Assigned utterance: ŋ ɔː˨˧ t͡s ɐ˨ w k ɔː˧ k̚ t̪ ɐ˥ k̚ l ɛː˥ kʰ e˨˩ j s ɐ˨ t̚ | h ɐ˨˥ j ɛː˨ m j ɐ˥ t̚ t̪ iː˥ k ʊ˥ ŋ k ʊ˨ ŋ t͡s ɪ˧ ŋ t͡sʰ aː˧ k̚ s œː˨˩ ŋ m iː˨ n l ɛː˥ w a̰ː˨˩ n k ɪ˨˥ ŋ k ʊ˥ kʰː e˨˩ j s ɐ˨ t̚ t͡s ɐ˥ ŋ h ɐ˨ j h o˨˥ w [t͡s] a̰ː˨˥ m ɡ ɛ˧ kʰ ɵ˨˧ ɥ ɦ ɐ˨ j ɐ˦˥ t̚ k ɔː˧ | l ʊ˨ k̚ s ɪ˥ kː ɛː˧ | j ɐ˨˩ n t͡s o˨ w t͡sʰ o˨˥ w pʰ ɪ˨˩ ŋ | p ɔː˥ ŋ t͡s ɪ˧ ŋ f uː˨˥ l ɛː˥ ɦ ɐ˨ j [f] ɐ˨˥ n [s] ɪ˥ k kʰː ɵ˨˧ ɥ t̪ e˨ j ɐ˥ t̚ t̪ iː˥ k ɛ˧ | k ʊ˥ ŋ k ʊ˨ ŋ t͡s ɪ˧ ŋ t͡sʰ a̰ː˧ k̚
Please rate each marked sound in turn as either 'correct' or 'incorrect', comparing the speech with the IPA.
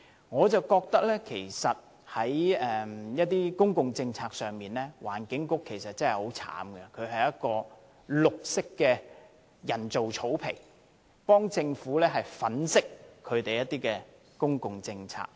incorrect: t͡sʰ, correct, correct

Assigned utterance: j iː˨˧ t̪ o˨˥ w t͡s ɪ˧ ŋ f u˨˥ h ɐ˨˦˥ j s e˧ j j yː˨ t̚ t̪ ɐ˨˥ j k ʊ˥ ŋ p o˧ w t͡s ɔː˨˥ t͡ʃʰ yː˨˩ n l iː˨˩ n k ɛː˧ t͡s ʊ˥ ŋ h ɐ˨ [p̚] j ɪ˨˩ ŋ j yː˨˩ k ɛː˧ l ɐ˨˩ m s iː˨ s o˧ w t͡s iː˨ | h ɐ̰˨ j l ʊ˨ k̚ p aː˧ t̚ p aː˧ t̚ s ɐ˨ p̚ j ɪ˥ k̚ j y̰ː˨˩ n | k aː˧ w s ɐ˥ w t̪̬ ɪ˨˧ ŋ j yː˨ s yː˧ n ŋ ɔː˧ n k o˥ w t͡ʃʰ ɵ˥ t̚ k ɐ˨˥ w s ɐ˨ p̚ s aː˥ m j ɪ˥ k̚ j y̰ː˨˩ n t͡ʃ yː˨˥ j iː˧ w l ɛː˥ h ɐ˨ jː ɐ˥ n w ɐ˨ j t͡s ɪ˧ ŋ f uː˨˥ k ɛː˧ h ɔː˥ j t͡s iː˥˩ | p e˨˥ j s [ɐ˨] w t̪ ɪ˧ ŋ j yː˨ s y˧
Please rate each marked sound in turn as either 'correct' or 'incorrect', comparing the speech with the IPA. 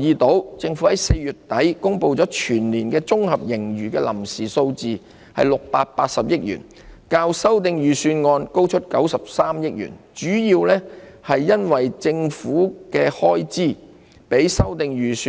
correct, incorrect: ɐ˥

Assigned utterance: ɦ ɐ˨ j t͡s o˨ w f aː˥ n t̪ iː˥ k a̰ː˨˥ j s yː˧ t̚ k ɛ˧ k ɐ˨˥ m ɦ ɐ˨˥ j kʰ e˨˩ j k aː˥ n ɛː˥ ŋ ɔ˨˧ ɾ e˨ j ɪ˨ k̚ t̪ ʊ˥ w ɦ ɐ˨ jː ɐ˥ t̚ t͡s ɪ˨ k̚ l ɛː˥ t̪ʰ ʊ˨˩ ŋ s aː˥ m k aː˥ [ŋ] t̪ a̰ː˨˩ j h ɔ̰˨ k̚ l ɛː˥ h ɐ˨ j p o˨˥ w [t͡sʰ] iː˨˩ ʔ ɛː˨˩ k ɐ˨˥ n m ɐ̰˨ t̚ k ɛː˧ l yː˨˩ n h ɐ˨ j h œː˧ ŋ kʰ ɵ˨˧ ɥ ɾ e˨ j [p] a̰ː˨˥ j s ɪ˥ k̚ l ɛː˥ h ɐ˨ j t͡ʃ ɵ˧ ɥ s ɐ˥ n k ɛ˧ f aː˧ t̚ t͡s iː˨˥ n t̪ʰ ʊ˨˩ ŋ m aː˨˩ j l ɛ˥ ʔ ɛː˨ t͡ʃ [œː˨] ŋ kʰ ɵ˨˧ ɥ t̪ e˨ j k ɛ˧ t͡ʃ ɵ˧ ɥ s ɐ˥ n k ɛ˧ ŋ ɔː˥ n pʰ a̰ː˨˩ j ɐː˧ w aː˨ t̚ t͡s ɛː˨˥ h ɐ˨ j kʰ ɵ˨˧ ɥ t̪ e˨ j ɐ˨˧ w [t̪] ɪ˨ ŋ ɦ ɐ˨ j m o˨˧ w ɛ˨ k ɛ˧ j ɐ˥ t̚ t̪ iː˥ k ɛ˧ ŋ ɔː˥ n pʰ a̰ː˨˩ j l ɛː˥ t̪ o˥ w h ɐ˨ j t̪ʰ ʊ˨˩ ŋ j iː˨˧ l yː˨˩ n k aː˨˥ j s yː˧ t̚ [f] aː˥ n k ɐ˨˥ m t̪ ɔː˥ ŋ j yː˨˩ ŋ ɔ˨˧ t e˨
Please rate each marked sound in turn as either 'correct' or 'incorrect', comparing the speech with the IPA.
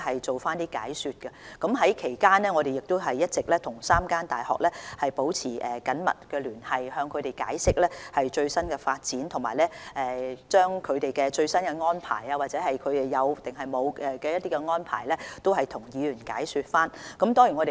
incorrect: n, correct, incorrect: k, incorrect: œː˥, correct, correct

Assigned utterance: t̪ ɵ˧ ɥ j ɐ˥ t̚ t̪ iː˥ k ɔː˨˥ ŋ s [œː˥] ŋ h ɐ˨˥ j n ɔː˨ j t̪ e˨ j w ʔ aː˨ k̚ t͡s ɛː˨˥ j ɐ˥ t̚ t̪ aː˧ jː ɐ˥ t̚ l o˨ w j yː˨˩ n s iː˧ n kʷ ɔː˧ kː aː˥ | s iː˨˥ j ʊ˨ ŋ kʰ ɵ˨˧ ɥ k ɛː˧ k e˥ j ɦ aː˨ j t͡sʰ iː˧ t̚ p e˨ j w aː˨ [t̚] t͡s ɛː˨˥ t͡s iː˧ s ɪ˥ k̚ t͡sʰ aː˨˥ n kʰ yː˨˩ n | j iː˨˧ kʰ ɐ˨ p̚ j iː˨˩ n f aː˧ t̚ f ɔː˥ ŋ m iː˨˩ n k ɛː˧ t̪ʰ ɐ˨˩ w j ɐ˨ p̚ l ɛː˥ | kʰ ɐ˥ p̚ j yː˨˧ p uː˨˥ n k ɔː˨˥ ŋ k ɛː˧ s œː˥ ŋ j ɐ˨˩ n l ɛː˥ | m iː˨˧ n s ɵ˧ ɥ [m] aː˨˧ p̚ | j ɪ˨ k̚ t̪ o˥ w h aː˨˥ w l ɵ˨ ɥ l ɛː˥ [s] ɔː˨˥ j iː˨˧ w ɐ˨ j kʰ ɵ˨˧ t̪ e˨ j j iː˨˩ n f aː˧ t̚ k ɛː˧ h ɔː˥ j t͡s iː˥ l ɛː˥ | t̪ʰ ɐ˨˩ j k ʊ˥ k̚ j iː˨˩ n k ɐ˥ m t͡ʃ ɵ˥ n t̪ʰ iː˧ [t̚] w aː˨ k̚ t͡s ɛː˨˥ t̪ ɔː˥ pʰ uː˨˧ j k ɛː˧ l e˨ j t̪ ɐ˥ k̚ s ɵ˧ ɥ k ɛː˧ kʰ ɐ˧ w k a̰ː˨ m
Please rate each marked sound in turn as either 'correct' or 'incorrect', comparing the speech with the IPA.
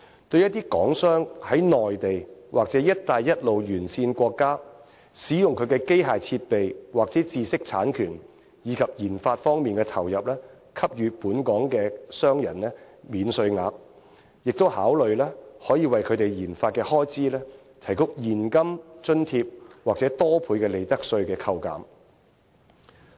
correct, incorrect: k̚, incorrect: ŋ, incorrect: h, incorrect: p̚

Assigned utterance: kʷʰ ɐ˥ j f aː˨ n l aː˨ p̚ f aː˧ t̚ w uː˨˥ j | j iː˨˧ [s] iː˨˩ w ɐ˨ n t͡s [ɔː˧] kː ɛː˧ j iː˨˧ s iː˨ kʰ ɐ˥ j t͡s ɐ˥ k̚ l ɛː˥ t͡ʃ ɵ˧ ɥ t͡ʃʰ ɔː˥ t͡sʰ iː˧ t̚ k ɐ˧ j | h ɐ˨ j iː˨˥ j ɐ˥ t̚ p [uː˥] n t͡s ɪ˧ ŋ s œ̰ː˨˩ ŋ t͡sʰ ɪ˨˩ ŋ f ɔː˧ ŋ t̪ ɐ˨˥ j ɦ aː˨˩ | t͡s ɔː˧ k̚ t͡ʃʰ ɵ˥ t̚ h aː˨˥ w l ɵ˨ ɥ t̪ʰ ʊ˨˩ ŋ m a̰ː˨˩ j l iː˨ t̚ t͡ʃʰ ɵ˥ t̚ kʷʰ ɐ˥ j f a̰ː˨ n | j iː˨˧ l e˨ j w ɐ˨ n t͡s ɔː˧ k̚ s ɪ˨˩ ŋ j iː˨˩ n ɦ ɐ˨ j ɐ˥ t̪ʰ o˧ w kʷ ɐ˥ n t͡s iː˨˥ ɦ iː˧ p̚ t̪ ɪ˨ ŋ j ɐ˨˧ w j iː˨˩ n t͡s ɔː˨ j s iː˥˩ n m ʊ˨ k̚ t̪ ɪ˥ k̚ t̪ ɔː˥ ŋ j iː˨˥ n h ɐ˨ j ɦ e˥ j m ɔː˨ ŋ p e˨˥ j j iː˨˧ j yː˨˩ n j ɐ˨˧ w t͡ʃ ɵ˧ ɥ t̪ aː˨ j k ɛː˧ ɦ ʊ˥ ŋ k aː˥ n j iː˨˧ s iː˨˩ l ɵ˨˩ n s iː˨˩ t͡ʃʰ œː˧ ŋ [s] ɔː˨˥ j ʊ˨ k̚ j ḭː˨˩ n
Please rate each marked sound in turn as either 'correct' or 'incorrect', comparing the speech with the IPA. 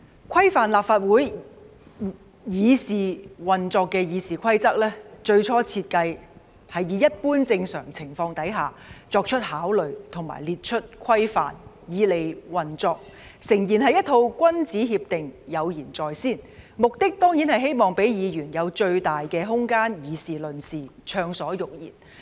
correct, correct, correct, correct

